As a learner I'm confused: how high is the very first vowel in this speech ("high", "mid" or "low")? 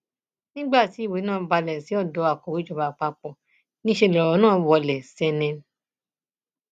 high